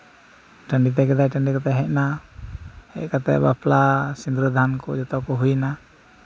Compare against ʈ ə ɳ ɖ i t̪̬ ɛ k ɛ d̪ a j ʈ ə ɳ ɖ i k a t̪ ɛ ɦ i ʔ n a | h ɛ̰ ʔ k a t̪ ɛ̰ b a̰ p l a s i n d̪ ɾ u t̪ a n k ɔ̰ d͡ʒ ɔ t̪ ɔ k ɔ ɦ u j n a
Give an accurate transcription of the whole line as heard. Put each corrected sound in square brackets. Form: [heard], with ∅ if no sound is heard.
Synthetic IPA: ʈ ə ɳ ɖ i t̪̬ ɛ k ɛ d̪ a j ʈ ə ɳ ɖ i k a t̪ ɛ ɦ [ɛ] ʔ n a | h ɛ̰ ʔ k a t̪ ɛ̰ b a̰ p l a s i n d̪ ɾ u [d̪] a n k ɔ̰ d͡ʒ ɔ t̪ ɔ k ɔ ɦ u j n a